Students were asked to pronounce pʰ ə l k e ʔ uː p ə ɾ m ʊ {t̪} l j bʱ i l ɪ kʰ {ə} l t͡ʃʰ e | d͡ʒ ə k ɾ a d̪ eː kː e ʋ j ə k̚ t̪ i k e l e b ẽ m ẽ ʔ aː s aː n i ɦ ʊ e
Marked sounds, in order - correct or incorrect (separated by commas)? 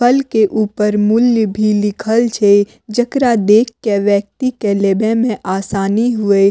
incorrect, correct